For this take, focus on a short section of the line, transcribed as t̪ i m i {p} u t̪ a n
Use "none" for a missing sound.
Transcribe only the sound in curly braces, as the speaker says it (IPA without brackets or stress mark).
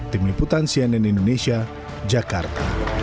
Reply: p